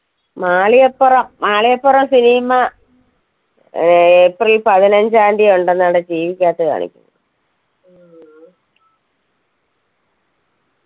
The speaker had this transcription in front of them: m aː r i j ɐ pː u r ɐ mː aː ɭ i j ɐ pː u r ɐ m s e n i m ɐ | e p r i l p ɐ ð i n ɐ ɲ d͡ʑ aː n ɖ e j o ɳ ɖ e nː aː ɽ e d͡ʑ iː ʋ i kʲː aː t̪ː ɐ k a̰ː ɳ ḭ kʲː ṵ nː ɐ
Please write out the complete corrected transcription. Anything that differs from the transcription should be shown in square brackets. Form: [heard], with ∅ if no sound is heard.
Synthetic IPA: m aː [ɭ] i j ɐ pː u r ɐ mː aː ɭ i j ɐ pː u r ɐ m s [i] n i m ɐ | e p r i l p ɐ ð i n ɐ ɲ d͡ʑ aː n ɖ [i] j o ɳ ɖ e nː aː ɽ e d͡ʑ iː ʋ i kʲː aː t̪ː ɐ k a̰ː ɳ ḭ kʲː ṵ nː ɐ